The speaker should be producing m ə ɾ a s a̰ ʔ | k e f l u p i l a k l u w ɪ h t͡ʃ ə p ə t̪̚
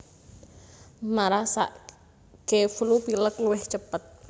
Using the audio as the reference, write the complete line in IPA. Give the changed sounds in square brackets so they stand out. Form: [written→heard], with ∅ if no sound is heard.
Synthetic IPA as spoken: m [ə→a] ɾ a s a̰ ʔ | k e f l u p i l [a→ə] k l u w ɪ h t͡ʃ ə p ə t̪̚